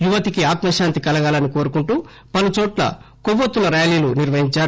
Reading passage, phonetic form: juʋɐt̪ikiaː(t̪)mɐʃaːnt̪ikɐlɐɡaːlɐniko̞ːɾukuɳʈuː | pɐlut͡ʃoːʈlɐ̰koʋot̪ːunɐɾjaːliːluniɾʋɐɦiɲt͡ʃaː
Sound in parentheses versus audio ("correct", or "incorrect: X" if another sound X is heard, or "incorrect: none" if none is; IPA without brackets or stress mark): correct